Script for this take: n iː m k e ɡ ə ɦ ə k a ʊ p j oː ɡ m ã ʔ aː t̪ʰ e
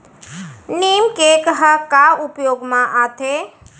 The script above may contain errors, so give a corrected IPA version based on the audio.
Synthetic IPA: n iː m k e k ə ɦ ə k a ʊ p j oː ɡ m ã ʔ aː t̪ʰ e